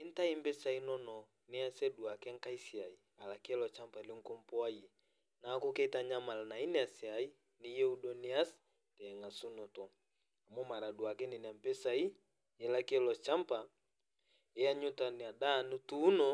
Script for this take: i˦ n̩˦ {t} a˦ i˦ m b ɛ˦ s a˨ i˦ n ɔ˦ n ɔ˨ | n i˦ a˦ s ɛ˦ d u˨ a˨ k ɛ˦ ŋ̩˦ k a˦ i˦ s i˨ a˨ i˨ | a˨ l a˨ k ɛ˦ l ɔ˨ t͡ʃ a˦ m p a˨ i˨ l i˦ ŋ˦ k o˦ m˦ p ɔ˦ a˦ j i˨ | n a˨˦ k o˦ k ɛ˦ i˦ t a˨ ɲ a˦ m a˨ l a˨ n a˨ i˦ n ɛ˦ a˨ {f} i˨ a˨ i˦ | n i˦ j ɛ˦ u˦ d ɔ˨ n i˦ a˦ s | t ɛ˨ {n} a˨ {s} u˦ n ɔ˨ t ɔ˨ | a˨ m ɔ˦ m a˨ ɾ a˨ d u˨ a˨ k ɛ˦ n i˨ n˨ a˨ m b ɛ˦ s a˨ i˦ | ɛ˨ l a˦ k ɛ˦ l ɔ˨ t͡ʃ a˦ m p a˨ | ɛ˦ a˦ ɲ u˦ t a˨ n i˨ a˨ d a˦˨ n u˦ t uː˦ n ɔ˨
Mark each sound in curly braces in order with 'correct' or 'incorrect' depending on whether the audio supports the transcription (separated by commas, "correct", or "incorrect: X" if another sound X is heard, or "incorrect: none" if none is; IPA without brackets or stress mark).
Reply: correct, incorrect: s, incorrect: ŋ, correct